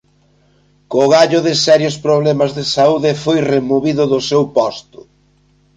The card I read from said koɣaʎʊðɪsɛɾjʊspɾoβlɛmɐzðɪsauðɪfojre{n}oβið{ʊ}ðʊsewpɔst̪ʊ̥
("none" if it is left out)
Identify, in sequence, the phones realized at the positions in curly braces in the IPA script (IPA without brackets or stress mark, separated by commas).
m, ʊ